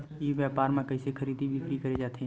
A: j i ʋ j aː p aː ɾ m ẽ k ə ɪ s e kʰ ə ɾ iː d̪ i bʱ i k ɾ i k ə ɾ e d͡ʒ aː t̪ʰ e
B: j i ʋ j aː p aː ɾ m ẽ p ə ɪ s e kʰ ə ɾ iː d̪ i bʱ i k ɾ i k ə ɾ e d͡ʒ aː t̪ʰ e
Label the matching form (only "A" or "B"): A